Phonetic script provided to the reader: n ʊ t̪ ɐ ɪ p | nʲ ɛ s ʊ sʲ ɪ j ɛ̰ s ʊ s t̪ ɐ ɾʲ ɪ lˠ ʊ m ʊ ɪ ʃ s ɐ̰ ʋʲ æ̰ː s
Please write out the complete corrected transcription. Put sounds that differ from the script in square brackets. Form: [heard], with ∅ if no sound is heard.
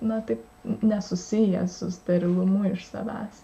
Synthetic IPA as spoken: n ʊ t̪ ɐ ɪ p | nʲ ɛ s ʊ sʲ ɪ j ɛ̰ s ʊ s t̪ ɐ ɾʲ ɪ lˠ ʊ m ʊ ɪ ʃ s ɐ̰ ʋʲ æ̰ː s